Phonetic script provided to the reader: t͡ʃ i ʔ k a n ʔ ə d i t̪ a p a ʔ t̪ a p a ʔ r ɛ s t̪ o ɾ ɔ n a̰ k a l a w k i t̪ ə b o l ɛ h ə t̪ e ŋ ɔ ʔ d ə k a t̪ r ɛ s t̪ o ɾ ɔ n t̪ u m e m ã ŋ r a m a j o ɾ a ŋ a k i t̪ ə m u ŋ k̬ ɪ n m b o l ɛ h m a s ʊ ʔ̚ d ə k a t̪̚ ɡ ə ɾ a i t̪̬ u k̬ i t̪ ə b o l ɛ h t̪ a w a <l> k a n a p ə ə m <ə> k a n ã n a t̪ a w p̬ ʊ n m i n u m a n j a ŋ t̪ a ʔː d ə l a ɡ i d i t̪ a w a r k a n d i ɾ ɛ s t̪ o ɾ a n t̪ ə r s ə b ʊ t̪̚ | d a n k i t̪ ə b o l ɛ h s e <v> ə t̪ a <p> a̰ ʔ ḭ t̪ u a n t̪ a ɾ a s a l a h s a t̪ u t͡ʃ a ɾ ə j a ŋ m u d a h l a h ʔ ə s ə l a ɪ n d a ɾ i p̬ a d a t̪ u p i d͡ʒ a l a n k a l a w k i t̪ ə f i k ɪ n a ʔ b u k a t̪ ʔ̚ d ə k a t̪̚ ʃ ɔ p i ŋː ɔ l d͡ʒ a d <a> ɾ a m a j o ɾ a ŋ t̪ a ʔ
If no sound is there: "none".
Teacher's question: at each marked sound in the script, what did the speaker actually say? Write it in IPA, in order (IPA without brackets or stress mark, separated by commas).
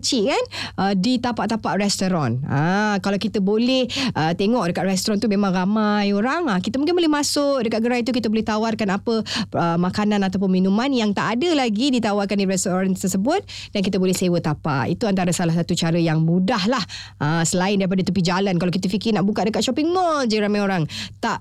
r, a, w, p, i